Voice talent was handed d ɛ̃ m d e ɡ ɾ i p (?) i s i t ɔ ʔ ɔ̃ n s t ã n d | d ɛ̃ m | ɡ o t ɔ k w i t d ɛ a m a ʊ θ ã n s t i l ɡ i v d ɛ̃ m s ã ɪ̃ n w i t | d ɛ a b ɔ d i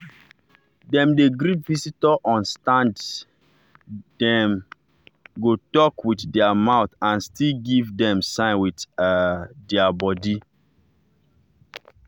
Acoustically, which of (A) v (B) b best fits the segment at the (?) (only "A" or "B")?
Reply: A